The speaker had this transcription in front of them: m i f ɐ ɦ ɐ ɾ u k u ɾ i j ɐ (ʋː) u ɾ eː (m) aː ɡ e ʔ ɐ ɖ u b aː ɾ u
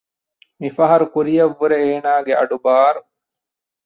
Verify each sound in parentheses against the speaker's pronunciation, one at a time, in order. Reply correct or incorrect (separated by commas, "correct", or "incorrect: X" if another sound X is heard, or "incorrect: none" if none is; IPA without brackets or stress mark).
correct, incorrect: n